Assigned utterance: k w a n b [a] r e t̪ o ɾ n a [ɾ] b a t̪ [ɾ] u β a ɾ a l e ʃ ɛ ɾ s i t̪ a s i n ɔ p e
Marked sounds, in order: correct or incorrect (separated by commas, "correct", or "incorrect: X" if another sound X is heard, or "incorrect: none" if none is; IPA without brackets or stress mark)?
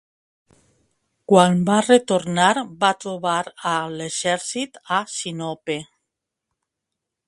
correct, correct, correct